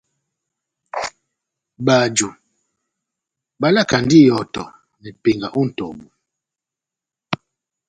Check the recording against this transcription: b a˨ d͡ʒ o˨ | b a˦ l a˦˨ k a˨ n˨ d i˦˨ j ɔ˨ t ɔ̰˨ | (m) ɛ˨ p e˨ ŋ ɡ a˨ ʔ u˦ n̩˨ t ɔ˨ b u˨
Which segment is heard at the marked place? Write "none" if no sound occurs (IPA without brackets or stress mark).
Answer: n